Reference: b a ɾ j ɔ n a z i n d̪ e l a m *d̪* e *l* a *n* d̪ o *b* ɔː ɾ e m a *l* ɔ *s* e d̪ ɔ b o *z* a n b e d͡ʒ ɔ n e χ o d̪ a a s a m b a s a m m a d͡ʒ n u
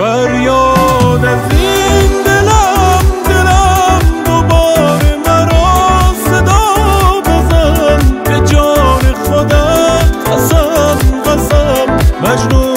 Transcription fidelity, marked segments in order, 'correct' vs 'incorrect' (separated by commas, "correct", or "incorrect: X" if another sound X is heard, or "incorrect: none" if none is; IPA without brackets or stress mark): correct, correct, incorrect: m, correct, incorrect: ɾ, correct, correct